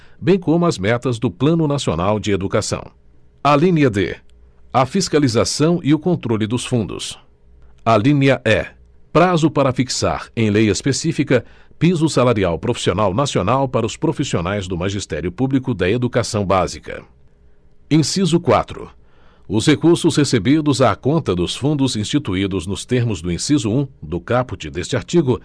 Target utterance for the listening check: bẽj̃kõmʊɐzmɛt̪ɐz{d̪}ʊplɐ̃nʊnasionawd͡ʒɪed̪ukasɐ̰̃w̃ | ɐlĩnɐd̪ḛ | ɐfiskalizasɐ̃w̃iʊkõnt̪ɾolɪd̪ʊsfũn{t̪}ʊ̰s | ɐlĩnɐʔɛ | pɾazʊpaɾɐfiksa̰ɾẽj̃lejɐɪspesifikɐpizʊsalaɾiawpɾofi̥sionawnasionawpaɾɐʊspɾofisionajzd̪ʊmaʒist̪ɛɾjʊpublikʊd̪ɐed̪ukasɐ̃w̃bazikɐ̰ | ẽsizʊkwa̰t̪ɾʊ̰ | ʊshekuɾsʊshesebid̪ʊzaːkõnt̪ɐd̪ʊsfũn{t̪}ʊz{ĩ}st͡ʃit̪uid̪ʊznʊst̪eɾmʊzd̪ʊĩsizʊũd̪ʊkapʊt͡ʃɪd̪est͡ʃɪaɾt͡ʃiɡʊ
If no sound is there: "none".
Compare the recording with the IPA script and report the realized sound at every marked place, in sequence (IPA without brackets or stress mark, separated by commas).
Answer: d̪, d̪, d̪, ĩ